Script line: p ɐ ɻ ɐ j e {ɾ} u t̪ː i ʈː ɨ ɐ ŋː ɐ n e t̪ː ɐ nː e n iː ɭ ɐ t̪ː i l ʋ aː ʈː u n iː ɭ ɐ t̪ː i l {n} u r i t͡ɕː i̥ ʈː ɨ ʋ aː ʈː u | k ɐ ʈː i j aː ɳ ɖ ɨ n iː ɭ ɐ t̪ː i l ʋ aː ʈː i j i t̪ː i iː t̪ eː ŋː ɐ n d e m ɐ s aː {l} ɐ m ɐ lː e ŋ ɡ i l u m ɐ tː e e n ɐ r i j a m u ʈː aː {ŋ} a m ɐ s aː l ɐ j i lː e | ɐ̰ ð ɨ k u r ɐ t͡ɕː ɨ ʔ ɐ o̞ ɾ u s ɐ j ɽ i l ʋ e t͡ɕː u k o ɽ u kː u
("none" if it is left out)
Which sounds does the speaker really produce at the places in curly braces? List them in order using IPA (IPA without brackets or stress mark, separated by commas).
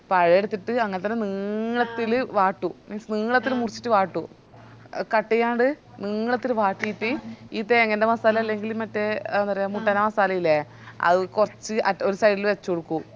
ɽ, m, l, n